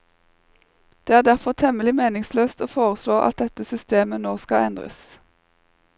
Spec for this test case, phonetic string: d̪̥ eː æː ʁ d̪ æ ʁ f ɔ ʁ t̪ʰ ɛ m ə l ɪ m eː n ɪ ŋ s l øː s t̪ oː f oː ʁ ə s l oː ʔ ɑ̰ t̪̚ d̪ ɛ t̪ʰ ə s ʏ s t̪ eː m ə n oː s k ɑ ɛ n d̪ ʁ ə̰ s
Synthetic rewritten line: d̪̥ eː æː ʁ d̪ æ ʁ f ɔ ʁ t̪ʰ ɛ m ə l ɪ m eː n ɪ ŋ s l øː s t̪ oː f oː ʁ ə s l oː ʔ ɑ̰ t̪̚ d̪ ɛ t̪ ə s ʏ s t̪ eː m ə n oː s k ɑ ɛ n d̪ ʁ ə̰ s